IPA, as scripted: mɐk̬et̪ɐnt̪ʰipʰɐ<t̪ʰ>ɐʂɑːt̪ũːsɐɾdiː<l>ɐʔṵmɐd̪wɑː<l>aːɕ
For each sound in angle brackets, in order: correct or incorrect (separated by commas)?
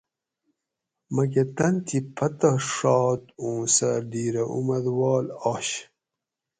incorrect, incorrect, correct